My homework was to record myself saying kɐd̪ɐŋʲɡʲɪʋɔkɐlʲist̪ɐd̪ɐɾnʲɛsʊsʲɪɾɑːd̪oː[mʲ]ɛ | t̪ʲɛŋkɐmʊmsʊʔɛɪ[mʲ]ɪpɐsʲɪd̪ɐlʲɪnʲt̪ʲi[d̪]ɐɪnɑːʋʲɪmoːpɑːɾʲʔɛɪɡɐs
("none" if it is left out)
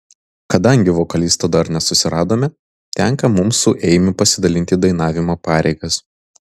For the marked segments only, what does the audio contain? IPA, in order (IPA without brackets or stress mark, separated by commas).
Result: mʲ, mʲ, d̪